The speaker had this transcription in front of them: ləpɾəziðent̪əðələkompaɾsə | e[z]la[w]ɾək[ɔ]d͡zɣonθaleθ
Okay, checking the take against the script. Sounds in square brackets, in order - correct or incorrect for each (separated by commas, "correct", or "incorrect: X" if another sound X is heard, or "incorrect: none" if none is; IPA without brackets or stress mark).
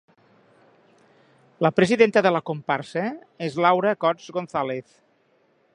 correct, correct, correct